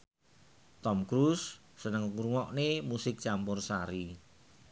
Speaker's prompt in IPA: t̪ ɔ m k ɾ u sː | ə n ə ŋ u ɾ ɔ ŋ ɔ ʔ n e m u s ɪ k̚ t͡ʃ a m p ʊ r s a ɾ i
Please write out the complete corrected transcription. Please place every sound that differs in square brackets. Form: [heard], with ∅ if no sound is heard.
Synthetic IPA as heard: t̪ ɔ m k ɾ u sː | ə n ə ŋ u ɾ [u] ŋ ɔ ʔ n e m u s ɪ k̚ t͡ʃ a m p ʊ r s a ɾ i